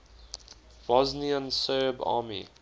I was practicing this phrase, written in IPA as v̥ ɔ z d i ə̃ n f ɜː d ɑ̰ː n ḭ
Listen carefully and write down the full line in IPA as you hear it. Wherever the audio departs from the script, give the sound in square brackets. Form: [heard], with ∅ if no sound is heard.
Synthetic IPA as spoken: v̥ ɔ z [n] i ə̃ n [s] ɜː [b] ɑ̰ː [m] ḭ